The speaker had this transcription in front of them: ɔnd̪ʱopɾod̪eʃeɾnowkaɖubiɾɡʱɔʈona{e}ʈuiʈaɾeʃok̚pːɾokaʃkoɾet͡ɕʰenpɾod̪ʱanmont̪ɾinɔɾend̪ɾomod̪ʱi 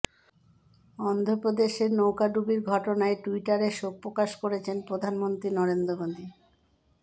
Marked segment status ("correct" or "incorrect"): correct